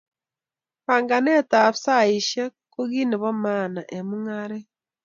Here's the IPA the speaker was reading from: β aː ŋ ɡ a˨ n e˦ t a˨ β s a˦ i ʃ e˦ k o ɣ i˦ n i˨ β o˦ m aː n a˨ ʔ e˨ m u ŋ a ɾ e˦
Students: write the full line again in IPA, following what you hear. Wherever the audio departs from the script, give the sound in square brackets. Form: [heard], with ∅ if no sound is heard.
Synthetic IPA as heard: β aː ŋ ɡ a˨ n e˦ t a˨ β s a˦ i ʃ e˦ k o ɣ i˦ n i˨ β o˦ m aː n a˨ ʔ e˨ m u ŋ a ɾ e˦

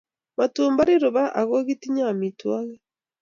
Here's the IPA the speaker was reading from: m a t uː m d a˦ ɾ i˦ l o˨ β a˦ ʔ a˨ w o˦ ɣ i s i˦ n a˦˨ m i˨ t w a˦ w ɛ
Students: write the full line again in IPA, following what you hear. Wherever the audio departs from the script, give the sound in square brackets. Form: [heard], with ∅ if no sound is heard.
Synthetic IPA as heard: m a t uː m [b] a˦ ɾ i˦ [ɾ] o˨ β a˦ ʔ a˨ [ɣ] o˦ ɣ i [t] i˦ [ɲ] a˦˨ m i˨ t w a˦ [ɣ] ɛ

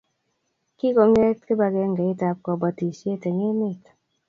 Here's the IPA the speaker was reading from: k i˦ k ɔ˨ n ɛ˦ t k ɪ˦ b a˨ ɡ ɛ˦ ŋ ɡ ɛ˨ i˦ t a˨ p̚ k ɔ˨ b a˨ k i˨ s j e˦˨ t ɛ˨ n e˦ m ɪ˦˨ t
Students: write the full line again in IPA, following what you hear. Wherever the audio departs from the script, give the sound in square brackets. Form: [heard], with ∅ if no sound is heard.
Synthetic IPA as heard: k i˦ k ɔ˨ [ŋ] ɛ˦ t k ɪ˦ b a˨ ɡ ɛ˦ ŋ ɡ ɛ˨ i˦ t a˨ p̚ k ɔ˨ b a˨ [t] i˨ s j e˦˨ t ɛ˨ [ŋ] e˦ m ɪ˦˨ t

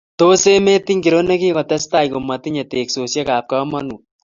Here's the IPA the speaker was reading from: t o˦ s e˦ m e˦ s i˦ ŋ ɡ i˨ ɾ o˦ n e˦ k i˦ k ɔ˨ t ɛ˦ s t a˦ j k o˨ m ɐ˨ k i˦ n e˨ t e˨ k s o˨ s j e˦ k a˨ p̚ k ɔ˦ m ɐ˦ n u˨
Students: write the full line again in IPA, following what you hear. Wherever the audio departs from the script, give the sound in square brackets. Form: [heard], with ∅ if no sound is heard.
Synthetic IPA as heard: t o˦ s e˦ m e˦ [t] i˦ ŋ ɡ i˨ ɾ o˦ n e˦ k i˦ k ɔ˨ t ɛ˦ s t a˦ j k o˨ m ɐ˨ [t] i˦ [ɲ] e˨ t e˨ k s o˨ s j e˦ k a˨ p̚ k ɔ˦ m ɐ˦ n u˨

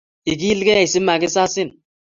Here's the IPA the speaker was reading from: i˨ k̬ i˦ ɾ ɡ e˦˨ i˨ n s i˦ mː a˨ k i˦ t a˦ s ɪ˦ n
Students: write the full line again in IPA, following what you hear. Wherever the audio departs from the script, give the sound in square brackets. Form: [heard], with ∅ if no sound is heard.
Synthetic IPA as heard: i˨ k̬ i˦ [l] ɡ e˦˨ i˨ [∅] s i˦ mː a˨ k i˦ [s] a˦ s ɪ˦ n

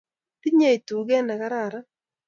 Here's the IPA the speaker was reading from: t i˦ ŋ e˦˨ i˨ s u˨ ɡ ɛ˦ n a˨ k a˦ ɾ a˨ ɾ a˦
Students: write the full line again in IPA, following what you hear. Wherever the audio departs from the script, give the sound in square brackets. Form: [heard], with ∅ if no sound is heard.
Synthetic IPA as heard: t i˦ [ɲ] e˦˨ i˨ [t] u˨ ɡ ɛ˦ n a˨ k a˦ ɾ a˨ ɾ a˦

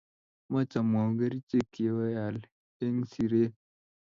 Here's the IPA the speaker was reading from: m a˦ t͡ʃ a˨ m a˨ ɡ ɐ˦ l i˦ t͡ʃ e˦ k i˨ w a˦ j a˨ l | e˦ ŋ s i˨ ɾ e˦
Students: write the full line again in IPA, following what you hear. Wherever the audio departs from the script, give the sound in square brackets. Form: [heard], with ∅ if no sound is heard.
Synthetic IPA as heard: m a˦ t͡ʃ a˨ m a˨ ɡ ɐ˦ [ɾ] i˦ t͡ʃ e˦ k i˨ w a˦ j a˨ l | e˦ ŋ s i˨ ɾ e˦

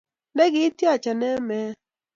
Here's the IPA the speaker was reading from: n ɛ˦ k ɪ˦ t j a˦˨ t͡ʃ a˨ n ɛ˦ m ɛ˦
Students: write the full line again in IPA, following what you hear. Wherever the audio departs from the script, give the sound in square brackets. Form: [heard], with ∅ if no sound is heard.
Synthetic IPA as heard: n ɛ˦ [ɡ] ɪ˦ t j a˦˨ t͡ʃ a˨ n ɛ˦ m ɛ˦

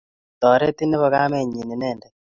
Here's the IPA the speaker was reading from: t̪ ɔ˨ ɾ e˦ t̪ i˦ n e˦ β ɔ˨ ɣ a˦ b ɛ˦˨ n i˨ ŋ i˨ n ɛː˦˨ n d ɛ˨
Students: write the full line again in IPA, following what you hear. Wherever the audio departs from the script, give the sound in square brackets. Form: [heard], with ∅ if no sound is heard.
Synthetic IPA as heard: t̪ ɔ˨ ɾ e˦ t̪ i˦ n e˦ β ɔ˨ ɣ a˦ [m] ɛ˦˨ [ɲ] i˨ [n] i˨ n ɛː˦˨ n d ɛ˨

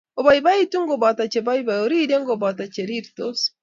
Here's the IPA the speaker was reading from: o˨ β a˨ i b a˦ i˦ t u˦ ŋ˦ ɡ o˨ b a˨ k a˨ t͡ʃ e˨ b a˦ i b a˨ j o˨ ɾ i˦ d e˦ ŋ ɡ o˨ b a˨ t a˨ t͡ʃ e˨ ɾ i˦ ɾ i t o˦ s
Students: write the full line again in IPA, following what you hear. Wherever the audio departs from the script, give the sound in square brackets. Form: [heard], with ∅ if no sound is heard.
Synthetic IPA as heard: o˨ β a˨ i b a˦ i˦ t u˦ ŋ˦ ɡ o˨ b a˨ [t] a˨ t͡ʃ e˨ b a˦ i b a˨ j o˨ ɾ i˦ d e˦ ŋ ɡ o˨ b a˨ t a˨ t͡ʃ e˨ ɾ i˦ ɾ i t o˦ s

